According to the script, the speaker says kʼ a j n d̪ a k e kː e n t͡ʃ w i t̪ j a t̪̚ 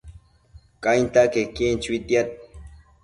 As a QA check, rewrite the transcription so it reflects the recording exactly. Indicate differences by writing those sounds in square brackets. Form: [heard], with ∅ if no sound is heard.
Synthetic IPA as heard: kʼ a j n [t̪] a k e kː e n t͡ʃ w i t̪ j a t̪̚